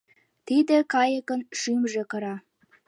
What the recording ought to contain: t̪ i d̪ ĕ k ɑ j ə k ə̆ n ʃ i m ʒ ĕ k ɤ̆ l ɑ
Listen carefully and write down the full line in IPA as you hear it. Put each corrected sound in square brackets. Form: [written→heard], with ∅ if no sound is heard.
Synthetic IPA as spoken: t̪ i d̪ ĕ k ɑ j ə k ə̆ n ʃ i m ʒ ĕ k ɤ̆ [l→ɾ] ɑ